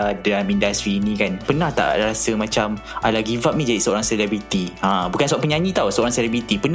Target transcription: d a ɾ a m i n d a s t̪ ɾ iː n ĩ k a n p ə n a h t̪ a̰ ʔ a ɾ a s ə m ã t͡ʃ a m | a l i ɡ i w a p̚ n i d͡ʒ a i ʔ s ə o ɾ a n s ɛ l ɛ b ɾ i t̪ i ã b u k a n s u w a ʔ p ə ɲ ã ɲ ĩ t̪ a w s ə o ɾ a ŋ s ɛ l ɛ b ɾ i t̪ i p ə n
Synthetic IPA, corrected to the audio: d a l a m i n d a s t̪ ɾ iː n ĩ k a n p ə n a h t̪ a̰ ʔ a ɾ a s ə m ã t͡ʃ a m | a l a ɡ i v a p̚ n i d͡ʒ a i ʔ s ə o ɾ a ŋ s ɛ l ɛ b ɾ i t̪ i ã b u k a n s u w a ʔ p ə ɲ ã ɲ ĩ t̪ a w s ə o ɾ a ŋ s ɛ l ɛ b ɾ i t̪ i p ə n